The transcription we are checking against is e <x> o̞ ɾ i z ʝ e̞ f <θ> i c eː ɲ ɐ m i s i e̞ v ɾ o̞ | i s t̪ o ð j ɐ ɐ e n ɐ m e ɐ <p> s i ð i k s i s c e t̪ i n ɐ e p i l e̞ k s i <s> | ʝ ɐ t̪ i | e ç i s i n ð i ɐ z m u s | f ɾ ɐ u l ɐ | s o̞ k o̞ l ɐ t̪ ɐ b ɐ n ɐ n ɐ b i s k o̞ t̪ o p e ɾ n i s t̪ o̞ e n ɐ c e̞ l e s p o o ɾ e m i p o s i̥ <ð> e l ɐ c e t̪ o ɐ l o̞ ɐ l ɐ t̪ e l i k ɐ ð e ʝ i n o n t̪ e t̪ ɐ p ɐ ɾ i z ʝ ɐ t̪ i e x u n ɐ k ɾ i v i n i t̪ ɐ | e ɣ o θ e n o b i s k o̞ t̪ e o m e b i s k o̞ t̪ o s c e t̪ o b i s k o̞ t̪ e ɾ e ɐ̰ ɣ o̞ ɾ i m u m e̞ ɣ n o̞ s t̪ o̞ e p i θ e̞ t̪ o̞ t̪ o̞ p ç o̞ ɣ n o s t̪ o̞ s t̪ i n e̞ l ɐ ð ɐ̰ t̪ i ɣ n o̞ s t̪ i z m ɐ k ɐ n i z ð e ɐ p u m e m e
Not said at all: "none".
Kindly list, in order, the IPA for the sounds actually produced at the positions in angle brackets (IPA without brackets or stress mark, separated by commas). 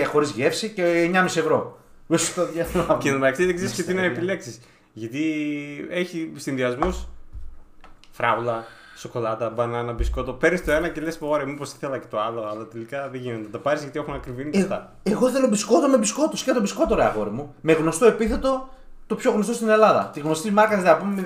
x, s, k, s, θ